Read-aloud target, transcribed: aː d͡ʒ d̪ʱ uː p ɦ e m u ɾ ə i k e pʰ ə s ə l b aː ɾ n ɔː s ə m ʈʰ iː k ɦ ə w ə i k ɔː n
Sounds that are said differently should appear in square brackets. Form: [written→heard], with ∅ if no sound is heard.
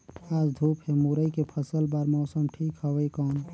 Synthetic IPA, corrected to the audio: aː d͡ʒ d̪ʱ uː p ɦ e m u ɾ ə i k e pʰ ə s ə l b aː ɾ [n→m] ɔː s ə m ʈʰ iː k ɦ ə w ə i k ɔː n